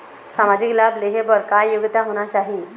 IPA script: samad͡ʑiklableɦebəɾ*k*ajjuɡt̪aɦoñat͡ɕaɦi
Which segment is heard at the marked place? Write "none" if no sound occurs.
k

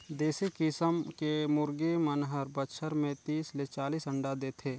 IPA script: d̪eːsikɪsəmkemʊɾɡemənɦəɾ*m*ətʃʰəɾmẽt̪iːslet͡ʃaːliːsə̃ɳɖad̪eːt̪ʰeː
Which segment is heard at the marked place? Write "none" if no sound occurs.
b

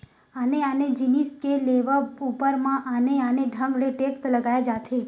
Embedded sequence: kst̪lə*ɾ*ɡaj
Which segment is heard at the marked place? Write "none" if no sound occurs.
none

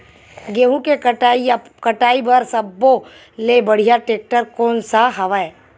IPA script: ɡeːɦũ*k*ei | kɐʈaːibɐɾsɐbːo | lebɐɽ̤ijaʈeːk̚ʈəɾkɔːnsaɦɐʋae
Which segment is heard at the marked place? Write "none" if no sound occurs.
k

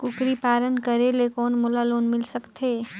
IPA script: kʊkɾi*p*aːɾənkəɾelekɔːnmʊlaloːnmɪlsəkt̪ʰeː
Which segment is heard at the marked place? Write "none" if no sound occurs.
p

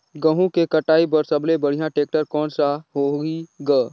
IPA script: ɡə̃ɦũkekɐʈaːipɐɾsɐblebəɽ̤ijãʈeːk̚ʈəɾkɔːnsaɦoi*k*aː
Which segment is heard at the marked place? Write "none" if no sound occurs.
ɡ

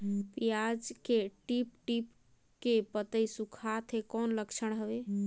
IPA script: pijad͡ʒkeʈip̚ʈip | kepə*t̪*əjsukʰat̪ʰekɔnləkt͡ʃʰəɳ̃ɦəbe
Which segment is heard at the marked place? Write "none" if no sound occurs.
t̪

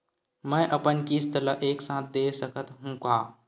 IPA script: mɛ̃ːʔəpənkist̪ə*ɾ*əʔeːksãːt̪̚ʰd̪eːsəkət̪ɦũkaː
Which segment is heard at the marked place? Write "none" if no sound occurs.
l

